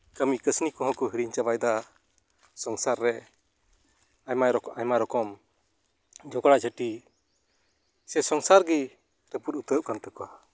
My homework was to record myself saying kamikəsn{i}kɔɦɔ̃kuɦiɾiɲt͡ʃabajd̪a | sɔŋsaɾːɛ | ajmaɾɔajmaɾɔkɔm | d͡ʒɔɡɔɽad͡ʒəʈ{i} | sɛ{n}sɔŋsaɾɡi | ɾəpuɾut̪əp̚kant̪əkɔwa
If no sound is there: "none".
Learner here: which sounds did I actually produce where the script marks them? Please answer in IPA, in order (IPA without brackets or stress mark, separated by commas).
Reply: i, i, none